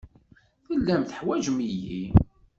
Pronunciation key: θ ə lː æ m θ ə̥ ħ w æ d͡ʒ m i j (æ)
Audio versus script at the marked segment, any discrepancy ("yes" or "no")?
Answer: yes